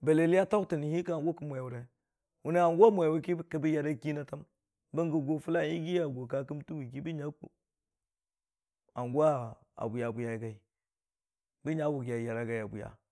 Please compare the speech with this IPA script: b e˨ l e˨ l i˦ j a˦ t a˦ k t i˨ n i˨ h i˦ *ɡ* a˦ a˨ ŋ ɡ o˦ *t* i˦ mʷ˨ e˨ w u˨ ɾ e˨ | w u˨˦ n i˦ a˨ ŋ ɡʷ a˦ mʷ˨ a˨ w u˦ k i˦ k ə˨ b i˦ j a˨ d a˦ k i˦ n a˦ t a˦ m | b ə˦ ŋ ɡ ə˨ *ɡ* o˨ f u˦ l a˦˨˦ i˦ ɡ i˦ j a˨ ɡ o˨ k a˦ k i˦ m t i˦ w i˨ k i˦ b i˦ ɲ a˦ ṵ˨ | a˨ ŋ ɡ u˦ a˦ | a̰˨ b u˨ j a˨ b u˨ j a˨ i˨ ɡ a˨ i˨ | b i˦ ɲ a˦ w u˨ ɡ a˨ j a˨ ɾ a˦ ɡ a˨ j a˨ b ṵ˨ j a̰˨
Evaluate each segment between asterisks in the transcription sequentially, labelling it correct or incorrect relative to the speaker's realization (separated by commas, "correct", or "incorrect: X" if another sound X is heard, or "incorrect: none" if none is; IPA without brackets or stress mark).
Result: incorrect: k, incorrect: k, correct